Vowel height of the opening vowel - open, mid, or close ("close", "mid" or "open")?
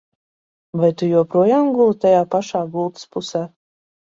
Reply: open